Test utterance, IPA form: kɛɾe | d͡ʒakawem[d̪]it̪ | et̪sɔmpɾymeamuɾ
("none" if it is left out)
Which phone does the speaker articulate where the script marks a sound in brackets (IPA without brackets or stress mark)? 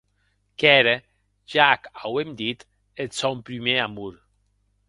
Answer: d̪